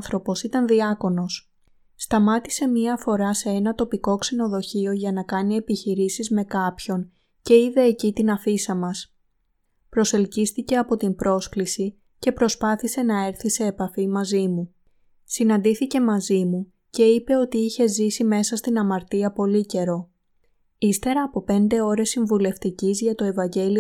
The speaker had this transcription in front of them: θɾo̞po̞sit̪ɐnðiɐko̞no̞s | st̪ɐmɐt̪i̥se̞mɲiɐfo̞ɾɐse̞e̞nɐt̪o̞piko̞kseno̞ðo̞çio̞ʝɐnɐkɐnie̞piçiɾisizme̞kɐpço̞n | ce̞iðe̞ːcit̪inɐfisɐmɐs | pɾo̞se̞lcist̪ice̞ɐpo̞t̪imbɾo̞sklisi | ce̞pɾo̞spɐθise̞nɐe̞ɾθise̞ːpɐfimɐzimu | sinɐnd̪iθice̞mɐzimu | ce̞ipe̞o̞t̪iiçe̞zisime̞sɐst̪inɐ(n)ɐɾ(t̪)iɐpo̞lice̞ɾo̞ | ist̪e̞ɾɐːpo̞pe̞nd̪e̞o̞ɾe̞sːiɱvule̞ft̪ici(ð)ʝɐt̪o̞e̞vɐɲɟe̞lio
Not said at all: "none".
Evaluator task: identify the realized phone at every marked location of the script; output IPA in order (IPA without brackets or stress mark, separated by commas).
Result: m, t̪, z